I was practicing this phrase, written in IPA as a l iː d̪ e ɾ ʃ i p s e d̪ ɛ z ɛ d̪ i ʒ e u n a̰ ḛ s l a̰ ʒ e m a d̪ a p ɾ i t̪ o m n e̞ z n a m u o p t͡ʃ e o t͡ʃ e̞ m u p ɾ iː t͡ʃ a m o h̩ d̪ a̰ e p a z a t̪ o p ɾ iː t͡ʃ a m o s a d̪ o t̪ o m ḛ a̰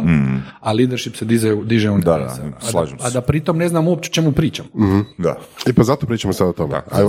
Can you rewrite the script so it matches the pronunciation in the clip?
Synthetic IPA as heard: a l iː d̪ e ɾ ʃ i p s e d̪ i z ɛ d̪ i ʒ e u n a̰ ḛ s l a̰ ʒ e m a d̪ a p ɾ i t̪ o m n e̞ z n a m u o p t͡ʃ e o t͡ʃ e̞ m u p ɾ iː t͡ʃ a m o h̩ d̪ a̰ e p a z a t̪ o p ɾ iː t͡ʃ a m o s a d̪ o t̪ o m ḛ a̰